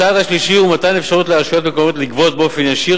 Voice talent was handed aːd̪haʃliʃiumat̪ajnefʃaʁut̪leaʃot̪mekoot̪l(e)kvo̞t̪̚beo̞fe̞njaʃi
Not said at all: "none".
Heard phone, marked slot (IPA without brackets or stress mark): i